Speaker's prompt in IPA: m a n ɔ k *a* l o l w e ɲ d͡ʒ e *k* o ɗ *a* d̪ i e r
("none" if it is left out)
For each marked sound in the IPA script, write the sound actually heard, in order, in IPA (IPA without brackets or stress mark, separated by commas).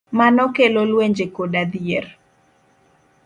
e, k, a